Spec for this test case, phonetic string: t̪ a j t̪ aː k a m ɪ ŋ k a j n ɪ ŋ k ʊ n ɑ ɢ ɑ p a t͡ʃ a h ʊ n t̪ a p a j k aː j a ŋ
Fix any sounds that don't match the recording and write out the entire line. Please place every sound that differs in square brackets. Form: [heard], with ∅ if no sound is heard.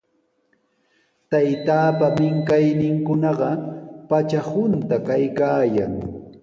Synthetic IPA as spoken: t̪ a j t̪ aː [p] a m ɪ ŋ k a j n ɪ ŋ k ʊ n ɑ ɢ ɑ p a t͡ʃ a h ʊ n t̪ a [k] a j k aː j a ŋ